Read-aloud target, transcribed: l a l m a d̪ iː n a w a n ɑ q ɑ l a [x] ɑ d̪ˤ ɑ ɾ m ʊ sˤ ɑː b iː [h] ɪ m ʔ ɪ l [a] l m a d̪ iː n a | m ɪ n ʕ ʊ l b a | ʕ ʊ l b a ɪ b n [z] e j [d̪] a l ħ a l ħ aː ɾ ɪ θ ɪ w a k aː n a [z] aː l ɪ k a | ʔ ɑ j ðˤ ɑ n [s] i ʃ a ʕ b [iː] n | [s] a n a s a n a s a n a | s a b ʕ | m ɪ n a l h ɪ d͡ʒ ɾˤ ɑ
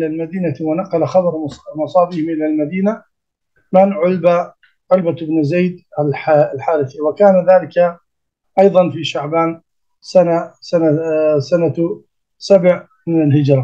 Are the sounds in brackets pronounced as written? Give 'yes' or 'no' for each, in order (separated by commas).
yes, yes, yes, yes, yes, no, no, no, yes